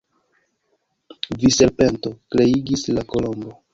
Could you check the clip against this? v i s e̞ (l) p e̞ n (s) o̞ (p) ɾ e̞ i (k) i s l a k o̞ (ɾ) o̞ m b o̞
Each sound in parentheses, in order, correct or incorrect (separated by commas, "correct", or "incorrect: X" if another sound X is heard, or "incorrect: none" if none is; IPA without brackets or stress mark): incorrect: ɾ, incorrect: t, incorrect: k, incorrect: ɡ, incorrect: l